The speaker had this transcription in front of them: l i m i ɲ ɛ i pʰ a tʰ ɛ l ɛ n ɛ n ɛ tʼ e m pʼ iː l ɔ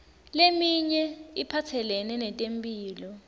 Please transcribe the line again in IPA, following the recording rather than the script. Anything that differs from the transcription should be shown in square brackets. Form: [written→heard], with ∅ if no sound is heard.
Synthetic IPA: l [i→e] m i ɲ ɛ i pʰ a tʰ ɛ l ɛ n ɛ n ɛ tʼ e m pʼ iː l ɔ